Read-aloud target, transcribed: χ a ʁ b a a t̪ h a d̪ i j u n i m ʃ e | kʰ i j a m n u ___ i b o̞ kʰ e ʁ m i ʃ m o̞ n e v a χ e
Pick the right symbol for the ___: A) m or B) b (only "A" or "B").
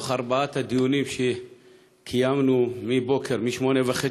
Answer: A